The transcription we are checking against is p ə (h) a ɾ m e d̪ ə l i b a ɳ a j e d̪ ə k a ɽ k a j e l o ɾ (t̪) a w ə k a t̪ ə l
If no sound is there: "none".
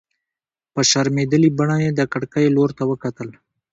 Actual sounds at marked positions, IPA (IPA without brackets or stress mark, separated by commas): ʃ, t̪